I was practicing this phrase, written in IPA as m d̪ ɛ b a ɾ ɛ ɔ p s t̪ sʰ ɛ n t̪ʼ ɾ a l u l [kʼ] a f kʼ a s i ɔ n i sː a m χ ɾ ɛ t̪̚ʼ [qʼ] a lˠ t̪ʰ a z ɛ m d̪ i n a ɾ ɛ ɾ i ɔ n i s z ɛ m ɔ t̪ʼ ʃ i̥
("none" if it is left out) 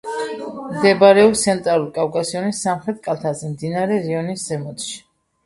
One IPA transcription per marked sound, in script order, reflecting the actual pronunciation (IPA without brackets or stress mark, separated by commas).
kʼ, kʼ